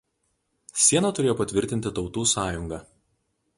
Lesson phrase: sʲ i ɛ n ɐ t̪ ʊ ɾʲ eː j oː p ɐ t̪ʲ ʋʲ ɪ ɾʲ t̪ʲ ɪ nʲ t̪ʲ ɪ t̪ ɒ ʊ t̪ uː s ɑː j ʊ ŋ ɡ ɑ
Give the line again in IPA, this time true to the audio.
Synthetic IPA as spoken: sʲ i ɛ n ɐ t̪ ʊ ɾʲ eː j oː p ɐ t̪ʲ ʋʲ ɪ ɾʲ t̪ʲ ɪ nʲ t̪ʲ ɪ t̪ ɒ ʊ t̪ uː s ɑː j ʊ ŋ ɡ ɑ